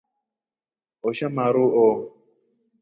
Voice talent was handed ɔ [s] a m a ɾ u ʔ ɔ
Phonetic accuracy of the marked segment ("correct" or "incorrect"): incorrect